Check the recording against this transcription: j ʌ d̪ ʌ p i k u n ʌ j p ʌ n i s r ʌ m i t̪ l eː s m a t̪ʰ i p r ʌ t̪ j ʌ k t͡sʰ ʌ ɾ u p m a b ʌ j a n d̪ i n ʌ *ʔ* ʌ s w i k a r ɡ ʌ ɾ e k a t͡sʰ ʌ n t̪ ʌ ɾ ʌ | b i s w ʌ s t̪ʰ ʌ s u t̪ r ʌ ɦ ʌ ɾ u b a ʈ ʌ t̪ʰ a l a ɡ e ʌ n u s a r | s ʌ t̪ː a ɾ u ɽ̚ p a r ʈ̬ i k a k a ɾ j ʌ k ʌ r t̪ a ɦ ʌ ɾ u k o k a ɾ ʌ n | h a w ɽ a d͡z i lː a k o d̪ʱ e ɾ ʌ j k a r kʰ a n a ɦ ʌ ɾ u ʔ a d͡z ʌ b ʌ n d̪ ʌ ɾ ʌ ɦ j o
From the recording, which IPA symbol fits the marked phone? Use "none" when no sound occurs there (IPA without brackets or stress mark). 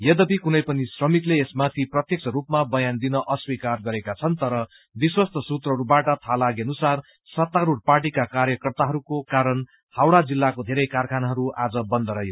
ʔ